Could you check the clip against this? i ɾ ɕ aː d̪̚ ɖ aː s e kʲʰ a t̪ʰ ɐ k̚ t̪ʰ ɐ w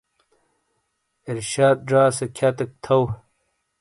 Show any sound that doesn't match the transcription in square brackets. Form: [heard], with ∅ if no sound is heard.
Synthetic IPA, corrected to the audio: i ɾ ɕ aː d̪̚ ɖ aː s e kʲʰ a [t̪] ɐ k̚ t̪ʰ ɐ w